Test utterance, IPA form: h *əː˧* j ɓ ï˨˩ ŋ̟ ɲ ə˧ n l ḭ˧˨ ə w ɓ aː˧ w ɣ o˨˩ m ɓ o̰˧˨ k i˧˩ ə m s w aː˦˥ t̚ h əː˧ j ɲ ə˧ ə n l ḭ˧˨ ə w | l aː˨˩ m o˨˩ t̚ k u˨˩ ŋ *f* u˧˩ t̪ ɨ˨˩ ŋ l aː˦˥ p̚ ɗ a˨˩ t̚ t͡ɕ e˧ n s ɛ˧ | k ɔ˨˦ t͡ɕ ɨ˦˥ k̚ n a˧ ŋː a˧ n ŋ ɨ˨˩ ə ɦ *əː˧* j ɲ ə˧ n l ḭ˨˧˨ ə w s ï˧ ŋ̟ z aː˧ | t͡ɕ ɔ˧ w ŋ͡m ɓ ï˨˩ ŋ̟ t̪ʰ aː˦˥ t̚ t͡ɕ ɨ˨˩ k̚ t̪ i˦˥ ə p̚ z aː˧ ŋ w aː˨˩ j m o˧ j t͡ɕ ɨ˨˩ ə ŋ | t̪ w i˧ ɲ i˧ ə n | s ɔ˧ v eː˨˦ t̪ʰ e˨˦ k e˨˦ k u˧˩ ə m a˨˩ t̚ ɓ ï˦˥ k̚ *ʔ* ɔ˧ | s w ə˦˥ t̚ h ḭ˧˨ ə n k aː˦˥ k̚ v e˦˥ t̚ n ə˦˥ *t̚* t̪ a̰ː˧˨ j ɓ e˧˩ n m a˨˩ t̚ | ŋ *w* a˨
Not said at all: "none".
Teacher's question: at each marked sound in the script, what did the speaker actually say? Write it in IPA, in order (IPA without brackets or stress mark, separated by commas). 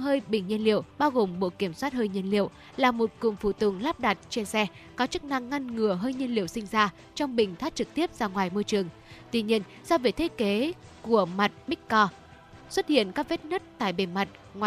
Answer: əː˧, f, əː˧, k, t̚, w